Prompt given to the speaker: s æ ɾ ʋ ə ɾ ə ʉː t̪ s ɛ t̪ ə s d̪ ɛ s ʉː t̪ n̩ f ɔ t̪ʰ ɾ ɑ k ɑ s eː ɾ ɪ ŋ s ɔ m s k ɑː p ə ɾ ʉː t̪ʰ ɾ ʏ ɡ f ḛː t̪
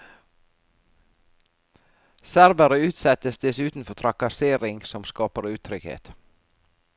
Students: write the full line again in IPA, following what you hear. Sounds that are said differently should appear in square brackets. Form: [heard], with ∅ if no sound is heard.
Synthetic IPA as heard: s æ ɾ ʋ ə ɾ ə ʉː t̪ s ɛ t̪ ə s d̪ ɛ s ʉː t̪ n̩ f ɔ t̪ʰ ɾ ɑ k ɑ s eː ɾ ɪ ŋ s ɔ m s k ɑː p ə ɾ ʉː t̪ʰ ɾ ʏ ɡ [h] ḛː t̪